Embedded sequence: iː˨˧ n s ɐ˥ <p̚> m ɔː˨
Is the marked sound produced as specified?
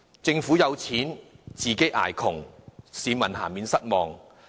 no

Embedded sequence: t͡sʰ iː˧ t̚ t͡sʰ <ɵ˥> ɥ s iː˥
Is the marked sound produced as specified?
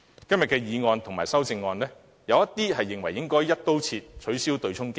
no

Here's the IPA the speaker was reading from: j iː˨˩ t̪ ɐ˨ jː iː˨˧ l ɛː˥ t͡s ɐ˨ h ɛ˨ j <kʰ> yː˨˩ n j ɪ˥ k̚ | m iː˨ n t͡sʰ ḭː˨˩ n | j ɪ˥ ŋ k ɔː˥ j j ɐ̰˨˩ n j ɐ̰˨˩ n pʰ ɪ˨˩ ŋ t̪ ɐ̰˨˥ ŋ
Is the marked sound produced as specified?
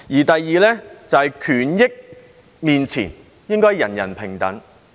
yes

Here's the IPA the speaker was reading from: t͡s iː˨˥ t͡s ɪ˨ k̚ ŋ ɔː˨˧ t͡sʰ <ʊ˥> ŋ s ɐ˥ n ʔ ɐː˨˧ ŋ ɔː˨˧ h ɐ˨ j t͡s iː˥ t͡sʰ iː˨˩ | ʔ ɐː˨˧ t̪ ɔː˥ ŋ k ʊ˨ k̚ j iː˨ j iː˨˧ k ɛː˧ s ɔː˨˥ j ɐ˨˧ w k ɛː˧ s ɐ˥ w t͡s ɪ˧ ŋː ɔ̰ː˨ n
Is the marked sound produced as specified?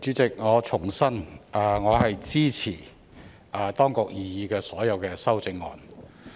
no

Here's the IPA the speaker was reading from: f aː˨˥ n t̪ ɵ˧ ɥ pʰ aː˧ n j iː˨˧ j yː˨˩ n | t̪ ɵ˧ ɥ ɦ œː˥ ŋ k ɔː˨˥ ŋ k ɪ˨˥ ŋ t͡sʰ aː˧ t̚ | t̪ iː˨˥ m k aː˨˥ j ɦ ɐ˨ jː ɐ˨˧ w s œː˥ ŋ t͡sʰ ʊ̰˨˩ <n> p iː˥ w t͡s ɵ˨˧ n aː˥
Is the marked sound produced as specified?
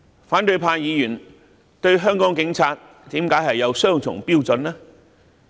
no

